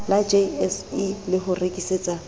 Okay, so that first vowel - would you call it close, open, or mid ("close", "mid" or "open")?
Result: open